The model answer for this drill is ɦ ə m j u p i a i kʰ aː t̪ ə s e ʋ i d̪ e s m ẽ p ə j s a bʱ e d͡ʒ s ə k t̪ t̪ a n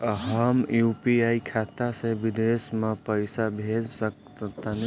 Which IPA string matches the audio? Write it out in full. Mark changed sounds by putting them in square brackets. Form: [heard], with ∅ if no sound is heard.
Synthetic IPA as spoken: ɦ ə m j u p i a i kʰ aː t̪ [a] s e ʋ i d̪ e s m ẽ p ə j s a bʱ e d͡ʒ s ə k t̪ t̪ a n